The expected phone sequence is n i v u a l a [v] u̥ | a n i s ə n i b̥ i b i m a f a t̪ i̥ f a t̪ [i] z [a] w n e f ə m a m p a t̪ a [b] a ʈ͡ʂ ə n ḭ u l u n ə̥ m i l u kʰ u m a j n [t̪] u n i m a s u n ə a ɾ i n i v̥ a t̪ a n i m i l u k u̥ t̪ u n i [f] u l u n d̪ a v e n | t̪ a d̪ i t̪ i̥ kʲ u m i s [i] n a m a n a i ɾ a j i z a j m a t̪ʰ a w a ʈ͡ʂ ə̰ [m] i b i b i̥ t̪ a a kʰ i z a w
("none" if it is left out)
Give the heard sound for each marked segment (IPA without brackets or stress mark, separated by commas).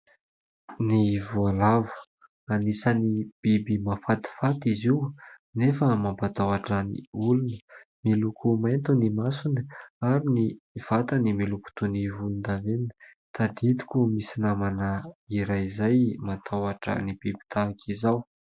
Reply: v, i, i, w, t̪, v, i, n